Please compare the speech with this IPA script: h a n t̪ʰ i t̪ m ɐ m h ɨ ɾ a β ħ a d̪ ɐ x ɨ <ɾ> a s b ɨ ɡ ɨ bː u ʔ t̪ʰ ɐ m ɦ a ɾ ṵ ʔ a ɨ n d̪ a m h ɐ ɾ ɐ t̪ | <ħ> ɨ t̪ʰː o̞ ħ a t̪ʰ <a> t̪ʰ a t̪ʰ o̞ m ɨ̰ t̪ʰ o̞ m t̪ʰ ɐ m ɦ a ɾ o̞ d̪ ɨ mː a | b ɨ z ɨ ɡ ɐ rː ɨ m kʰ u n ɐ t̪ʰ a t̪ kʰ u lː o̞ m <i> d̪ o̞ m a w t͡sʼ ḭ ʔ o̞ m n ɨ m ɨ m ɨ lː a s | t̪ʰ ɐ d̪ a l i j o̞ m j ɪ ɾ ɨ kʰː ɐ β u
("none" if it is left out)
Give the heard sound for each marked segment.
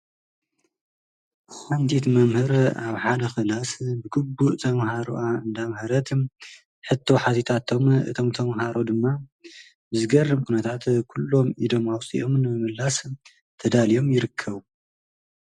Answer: l, ħ, i, i

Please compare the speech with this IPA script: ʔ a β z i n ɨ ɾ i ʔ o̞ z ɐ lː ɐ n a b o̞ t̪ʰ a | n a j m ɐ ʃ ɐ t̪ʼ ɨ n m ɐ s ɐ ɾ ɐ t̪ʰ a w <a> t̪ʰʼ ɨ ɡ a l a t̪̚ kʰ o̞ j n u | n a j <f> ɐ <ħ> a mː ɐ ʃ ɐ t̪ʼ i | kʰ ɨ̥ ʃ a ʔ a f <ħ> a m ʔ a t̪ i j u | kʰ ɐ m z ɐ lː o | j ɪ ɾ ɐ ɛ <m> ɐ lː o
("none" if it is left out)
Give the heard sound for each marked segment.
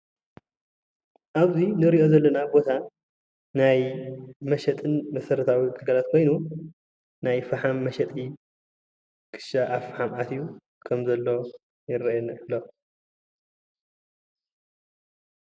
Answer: i, f, ħ, ħ, n

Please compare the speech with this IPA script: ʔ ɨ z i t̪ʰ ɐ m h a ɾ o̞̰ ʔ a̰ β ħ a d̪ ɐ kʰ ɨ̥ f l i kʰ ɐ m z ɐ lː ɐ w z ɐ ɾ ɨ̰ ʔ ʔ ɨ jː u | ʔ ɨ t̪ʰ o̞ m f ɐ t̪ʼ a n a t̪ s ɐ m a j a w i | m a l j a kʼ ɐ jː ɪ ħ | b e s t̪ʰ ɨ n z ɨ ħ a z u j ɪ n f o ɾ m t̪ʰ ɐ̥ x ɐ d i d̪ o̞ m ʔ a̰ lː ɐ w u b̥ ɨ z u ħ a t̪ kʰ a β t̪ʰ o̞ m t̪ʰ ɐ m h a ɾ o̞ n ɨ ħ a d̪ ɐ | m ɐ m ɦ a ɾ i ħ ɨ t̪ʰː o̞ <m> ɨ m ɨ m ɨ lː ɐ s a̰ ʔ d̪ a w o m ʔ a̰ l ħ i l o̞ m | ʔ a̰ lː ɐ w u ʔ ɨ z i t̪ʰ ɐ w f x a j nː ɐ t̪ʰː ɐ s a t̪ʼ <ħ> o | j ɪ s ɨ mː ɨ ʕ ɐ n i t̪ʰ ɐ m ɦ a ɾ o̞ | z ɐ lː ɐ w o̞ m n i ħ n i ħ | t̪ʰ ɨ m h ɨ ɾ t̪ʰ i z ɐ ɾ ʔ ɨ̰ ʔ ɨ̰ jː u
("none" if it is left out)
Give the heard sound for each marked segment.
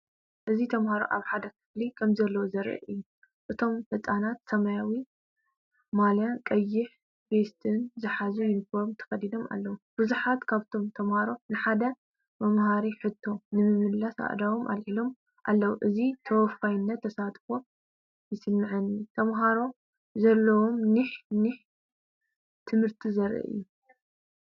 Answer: n, f

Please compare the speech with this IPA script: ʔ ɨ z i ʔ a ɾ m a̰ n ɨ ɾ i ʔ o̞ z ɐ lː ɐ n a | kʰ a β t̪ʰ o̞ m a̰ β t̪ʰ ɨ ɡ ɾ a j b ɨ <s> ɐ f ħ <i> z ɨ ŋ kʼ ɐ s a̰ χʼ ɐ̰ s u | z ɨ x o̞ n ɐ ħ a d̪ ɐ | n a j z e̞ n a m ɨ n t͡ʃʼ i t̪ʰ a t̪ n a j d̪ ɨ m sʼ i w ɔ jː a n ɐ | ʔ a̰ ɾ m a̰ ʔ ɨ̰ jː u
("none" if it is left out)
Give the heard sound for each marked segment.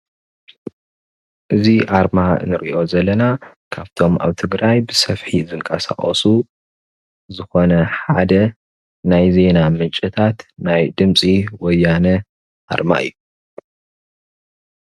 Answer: s, i

